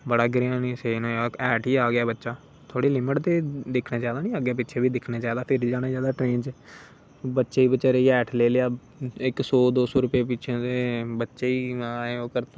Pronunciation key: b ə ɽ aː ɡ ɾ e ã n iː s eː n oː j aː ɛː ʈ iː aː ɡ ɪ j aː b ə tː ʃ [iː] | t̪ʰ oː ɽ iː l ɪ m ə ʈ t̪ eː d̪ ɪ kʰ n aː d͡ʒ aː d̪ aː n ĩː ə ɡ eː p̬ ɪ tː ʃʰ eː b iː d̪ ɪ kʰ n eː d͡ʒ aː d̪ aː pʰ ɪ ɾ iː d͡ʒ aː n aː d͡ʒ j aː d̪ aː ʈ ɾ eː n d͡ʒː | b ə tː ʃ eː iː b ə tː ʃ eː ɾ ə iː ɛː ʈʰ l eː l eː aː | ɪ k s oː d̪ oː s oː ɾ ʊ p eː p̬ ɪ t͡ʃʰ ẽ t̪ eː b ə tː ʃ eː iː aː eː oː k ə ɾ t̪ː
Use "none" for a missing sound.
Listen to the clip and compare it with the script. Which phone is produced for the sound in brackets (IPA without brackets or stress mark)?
aː